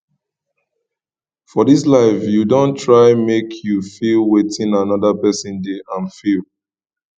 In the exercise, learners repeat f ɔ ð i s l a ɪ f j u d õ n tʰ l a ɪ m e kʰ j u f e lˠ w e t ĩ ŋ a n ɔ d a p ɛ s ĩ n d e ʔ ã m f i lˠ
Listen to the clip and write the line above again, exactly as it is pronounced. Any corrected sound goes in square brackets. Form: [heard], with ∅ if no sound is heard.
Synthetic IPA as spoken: f ɔ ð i s l a ɪ f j u d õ n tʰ [ɹ] a ɪ m e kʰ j u f [i] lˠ w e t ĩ [n] a n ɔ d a p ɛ s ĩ n d e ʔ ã [n] f i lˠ